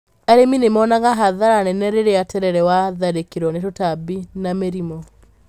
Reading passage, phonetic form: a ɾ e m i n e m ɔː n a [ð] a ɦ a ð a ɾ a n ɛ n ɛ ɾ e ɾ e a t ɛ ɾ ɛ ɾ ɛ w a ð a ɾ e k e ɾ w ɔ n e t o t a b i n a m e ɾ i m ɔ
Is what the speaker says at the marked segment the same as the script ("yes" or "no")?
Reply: no